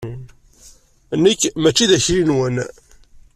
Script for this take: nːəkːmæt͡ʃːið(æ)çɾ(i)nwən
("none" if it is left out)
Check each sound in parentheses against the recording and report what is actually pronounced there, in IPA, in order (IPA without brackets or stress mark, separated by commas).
æ, i